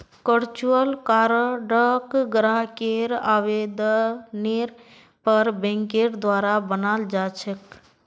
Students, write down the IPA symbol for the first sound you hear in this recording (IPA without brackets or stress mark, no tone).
k